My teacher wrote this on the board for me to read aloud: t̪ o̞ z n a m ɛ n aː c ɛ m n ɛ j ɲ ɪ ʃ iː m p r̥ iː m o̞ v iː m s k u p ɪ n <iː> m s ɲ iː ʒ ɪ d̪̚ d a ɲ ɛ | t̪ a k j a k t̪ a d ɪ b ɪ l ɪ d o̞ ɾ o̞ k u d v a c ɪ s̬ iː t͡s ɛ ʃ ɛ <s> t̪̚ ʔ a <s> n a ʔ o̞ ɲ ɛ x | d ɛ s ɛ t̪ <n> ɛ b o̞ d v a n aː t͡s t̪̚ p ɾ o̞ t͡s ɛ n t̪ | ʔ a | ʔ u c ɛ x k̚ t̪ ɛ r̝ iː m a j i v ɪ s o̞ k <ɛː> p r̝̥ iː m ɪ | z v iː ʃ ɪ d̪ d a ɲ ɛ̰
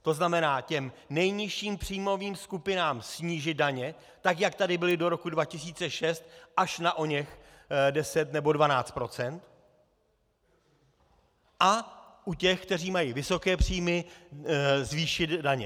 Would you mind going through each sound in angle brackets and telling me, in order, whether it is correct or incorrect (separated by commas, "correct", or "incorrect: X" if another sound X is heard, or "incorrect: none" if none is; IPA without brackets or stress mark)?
incorrect: aː, correct, incorrect: ʃ, correct, correct